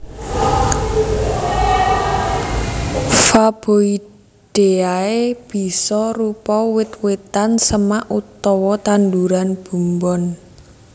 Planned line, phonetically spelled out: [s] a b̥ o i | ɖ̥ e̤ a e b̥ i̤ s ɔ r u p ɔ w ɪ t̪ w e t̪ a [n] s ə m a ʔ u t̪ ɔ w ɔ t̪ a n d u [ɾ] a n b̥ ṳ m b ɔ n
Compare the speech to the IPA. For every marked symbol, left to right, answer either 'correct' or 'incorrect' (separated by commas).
incorrect, correct, correct